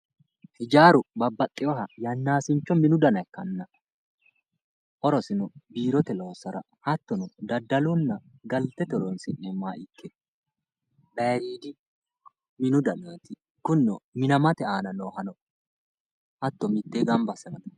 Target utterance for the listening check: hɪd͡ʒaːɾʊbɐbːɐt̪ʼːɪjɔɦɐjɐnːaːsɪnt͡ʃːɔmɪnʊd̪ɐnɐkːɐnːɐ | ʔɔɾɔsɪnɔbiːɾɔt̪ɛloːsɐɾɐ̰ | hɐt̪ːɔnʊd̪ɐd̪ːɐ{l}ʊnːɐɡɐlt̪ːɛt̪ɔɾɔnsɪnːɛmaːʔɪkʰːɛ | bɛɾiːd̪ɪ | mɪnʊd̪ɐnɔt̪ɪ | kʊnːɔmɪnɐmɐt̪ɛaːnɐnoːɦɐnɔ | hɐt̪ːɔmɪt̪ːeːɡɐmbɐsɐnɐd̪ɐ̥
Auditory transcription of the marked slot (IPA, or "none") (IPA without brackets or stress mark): l